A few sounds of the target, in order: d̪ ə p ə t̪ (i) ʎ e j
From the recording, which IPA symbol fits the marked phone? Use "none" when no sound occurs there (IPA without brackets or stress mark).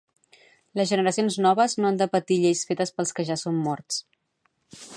i